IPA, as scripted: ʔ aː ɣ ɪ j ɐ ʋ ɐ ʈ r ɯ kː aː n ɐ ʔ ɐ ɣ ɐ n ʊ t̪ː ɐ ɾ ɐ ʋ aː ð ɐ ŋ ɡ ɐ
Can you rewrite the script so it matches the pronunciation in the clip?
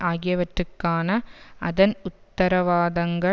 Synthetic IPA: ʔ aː ɣ ɪ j ɐ ʋ ɐ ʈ r ɯ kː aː n ɐ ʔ ɐ ð ɐ n ʊ t̪ː ɐ ɾ ɐ ʋ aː ð ɐ ŋ ɡ ɐ